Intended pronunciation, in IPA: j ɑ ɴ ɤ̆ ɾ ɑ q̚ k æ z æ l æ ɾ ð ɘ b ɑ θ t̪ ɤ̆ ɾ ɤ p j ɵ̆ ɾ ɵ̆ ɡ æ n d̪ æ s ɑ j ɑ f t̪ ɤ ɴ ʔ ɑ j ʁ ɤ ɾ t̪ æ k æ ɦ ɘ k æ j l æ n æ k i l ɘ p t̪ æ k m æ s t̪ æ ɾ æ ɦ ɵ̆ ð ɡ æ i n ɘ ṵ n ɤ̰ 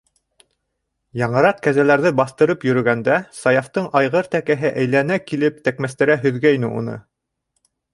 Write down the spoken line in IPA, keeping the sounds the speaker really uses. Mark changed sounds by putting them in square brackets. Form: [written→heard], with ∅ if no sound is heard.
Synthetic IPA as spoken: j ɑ ɴ ɤ̆ ɾ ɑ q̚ k æ z æ l æ ɾ ð ɘ b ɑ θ t̪ ɤ̆ ɾ ɤ p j ɵ̆ ɾ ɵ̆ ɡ æ n d̪ æ s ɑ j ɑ f t̪ ɤ ɴ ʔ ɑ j ʁ ɤ ɾ t̪ æ k æ ɦ ɘ [k→ʔ] æ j l æ n æ k i l ɘ p t̪ æ k m æ s t̪ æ ɾ æ ɦ ɵ̆ ð ɡ æ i n ɘ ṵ n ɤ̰